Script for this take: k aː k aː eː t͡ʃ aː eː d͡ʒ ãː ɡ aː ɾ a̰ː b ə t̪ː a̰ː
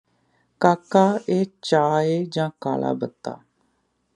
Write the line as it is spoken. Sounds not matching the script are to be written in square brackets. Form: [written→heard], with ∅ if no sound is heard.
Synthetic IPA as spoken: k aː k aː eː t͡ʃ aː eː d͡ʒ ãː [ɡ→k] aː [ɾ→l] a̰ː b ə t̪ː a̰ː